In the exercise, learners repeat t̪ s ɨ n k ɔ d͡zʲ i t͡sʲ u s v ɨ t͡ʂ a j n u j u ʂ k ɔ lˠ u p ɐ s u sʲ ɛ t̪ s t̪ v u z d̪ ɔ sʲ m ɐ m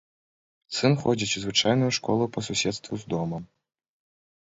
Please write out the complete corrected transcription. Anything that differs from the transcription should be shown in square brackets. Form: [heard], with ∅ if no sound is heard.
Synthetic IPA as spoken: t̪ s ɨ n [x] ɔ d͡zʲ i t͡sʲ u [z] v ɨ t͡ʂ a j n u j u ʂ k ɔ lˠ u p ɐ s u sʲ ɛ t̪ s t̪ v u z d̪ ɔ [∅] m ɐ m